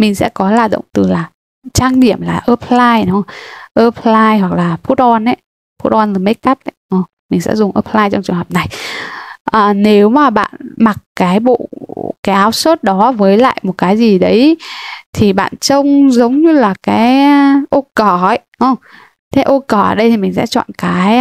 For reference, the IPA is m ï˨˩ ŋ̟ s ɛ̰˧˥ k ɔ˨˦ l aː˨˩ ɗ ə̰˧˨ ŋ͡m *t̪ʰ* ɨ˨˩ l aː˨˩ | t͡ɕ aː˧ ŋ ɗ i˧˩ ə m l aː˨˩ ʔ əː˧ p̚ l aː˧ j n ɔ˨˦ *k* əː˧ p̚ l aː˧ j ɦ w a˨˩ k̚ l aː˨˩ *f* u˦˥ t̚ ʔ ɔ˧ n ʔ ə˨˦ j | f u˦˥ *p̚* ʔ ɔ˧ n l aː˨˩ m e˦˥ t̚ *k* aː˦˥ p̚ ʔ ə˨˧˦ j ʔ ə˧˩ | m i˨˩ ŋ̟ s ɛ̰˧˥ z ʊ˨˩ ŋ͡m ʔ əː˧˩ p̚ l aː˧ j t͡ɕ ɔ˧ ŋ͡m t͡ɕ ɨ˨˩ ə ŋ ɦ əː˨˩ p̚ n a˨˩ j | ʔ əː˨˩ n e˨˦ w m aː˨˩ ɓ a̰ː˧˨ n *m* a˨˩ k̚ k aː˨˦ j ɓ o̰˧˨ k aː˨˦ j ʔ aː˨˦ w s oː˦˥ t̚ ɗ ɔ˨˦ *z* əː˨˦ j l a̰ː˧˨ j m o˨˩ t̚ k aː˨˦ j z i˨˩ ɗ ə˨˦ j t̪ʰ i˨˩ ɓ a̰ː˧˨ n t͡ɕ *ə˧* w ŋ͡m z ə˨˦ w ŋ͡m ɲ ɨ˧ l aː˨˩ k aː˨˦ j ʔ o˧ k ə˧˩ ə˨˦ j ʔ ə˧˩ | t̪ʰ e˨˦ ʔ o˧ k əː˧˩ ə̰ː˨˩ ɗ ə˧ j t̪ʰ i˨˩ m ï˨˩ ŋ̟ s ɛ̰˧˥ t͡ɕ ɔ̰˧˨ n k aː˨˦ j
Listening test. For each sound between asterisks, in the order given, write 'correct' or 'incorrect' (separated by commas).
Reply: incorrect, incorrect, correct, incorrect, correct, correct, incorrect, correct